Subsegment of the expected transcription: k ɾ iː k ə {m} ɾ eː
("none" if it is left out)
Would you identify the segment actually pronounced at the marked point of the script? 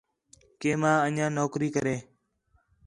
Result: none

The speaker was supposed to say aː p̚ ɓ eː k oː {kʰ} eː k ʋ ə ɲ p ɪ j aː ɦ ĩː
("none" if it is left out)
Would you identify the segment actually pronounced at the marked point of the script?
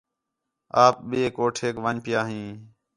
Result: ʈʰ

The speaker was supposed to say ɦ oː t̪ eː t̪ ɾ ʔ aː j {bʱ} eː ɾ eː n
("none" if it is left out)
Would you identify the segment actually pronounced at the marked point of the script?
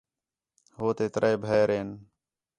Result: bʱ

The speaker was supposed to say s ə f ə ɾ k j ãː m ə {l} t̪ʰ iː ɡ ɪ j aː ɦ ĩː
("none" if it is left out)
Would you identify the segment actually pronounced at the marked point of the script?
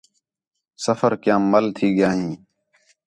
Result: l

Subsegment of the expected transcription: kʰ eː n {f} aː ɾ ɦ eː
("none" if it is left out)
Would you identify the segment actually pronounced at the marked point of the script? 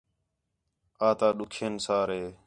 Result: s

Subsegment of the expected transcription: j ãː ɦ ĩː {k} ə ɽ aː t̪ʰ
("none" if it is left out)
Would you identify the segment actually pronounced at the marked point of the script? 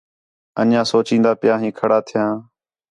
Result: kʰ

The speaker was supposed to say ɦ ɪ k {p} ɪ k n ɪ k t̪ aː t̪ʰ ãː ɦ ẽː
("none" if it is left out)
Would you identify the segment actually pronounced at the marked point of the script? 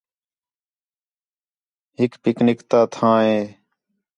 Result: p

